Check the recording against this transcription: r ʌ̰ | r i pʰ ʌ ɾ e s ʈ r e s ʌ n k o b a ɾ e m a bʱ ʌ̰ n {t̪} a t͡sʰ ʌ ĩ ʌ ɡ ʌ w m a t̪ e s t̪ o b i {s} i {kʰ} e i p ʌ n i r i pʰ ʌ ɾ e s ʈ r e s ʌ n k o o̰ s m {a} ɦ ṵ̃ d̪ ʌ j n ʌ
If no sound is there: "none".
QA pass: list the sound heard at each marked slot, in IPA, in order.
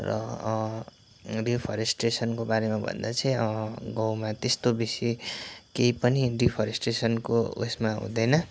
d̪, s, k, a

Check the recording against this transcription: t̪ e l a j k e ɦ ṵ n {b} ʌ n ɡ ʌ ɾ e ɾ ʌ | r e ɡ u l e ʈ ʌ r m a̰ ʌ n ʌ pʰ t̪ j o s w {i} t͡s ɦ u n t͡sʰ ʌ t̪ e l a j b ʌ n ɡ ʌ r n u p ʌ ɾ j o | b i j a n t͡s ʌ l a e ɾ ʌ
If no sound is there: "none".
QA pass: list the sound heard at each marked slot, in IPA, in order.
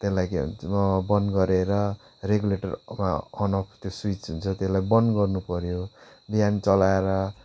b, i

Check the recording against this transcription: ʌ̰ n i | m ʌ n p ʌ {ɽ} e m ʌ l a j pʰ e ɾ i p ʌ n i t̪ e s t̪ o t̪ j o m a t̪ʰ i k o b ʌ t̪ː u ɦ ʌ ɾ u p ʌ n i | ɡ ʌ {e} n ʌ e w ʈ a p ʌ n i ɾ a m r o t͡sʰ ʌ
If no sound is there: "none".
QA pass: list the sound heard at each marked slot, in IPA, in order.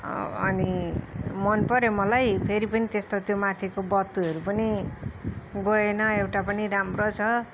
ɾ, e

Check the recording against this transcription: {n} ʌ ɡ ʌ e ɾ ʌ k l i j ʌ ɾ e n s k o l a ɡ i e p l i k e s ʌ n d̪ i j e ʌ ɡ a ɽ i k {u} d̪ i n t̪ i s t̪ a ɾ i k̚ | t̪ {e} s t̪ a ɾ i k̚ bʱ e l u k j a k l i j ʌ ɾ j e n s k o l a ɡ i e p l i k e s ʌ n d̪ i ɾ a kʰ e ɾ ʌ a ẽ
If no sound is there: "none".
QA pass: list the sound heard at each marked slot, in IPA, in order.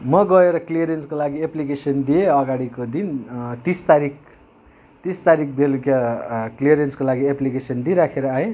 m, o, i

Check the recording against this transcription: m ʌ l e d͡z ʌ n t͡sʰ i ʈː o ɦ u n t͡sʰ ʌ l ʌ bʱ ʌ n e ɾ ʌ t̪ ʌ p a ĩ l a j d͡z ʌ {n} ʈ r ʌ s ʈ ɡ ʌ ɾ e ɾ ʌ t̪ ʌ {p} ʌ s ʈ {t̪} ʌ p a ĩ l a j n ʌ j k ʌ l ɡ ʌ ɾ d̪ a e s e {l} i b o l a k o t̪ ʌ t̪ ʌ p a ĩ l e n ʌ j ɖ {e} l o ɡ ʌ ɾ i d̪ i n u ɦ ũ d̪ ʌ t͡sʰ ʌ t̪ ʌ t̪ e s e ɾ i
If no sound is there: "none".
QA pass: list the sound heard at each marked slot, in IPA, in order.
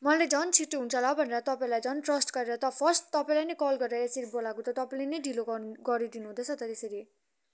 n, pʰ, t̪, ɾ, i

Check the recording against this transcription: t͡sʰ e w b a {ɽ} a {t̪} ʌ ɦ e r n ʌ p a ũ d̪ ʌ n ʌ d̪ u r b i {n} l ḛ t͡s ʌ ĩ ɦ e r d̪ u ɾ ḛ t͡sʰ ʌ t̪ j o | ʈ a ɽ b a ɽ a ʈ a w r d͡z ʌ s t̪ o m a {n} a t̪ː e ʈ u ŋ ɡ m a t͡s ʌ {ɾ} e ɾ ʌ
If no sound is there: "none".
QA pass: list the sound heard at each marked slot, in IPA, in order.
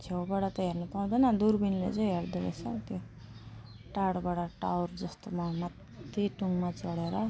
ɽ, t̪, n, m, ɽ

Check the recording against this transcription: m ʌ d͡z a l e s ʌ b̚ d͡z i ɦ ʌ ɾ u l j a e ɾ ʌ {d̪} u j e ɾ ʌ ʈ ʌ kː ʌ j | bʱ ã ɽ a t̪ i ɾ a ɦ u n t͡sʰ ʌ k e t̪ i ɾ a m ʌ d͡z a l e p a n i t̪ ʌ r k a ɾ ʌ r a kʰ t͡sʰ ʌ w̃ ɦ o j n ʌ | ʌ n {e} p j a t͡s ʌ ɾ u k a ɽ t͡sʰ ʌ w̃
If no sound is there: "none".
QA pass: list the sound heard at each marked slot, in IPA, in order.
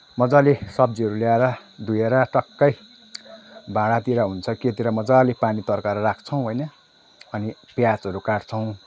d̪, i

